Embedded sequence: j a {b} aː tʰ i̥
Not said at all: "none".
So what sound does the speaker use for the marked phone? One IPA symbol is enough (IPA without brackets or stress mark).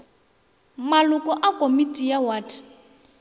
w